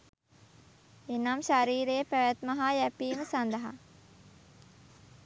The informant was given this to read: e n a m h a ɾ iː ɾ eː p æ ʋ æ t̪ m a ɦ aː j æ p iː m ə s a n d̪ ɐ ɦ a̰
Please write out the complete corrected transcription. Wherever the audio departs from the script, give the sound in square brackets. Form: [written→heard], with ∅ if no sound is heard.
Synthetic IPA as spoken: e n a m [h→ʃ] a ɾ iː ɾ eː p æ ʋ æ t̪ m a ɦ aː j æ p iː m ə s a n d̪ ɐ ɦ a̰